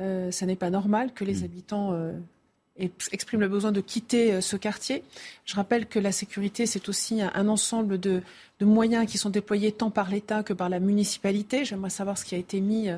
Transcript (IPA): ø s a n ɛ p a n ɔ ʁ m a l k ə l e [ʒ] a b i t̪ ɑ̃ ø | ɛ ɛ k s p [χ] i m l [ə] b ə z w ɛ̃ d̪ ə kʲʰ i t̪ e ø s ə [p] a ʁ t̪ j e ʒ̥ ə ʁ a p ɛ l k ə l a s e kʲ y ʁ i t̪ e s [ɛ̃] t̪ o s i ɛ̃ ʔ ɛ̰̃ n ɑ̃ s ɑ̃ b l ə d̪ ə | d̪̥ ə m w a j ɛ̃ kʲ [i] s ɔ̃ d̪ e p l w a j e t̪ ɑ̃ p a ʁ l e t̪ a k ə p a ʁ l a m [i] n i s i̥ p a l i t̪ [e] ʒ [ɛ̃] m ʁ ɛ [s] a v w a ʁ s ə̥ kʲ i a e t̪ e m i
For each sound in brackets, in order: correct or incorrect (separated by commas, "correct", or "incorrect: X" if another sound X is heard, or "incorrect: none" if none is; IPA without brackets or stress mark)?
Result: incorrect: z, correct, correct, incorrect: k, incorrect: ɛ, correct, incorrect: y, correct, incorrect: ɛ, correct